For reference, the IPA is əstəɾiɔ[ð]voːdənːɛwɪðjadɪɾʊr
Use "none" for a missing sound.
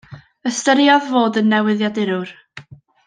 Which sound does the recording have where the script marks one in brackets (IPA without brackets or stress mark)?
ð